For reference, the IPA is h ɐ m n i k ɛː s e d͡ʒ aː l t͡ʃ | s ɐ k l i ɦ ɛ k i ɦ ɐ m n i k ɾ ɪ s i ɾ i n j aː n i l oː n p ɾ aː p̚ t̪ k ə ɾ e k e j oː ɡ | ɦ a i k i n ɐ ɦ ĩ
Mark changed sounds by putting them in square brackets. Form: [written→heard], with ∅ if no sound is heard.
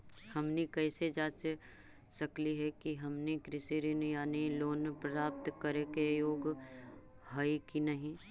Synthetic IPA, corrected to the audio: h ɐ m n i k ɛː s e d͡ʒ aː [l→∅] t͡ʃ | s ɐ k l i ɦ ɛ k i ɦ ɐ m n i k ɾ ɪ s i ɾ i n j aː n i l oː n p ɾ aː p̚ t̪ k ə ɾ e k e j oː ɡ | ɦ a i k i n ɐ ɦ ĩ